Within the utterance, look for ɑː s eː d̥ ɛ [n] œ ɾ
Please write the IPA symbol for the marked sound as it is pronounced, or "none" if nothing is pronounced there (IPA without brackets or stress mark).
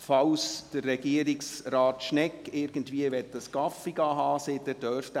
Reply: d